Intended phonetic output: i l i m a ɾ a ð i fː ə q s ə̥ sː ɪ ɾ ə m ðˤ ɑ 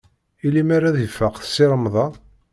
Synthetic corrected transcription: i l i m a ɾ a ð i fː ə q θ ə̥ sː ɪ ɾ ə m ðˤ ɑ